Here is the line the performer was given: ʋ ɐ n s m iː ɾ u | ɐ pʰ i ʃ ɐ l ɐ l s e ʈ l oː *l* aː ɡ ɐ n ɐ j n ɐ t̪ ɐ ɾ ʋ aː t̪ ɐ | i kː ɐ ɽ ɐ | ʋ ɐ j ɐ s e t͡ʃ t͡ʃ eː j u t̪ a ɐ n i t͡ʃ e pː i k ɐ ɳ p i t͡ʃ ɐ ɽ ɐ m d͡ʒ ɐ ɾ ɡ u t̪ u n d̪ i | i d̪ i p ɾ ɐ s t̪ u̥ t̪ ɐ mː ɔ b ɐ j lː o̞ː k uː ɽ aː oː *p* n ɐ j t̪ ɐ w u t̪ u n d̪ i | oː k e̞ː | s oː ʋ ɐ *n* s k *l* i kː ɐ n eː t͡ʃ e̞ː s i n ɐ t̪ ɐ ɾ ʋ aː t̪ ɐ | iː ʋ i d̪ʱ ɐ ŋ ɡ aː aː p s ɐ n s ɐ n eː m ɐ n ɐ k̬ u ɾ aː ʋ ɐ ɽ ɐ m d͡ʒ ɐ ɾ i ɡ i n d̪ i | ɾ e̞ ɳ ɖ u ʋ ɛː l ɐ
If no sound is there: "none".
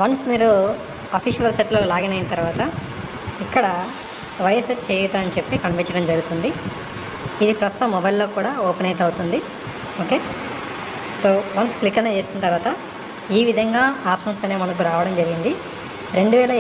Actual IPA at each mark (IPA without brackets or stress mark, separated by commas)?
l, p, n, l